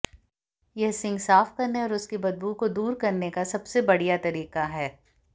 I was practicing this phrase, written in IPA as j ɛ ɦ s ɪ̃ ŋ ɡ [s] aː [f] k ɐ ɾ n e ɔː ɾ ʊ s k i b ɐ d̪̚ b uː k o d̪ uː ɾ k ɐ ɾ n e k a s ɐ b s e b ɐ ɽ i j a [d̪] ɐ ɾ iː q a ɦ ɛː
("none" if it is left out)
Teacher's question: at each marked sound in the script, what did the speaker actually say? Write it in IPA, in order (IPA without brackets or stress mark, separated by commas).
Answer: s, f, t̪